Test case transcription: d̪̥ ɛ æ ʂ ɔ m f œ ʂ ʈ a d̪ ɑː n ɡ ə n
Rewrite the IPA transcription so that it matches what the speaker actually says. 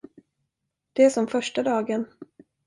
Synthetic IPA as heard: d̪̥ ɛ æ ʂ ɔ m f œ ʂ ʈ a d̪ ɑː ɡ ə n